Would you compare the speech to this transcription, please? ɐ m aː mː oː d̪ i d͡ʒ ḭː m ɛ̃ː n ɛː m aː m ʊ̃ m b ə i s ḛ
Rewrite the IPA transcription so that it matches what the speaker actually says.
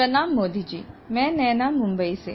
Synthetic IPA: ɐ n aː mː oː d̪ i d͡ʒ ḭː m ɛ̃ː n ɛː n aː m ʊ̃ m b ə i s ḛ